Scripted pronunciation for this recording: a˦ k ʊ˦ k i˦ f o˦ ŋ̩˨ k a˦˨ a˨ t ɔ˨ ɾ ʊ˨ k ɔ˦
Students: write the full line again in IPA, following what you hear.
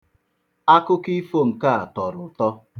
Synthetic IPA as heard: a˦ k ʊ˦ k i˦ f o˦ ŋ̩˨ k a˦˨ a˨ t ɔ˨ ɾ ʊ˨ t ɔ˦